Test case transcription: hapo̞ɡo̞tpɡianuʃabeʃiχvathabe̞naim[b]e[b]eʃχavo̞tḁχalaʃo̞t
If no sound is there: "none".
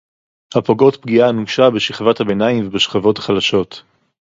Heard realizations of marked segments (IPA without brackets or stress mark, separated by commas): v, b